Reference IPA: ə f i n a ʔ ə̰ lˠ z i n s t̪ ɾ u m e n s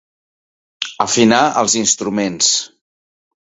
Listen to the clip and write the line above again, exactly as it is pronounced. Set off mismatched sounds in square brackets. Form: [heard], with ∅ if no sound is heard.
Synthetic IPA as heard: ə f i n a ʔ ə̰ lˠ z i n s t̪ ɾ u m e n s